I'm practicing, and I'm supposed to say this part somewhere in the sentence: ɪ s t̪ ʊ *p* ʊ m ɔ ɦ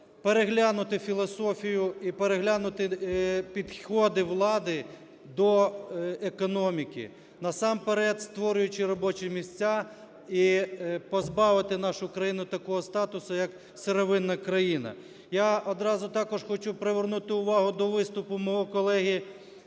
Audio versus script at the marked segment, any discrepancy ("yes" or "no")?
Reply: no